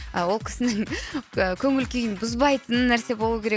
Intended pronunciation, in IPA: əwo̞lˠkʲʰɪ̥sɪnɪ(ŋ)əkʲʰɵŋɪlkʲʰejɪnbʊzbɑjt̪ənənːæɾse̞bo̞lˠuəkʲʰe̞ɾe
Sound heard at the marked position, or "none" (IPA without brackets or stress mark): ŋ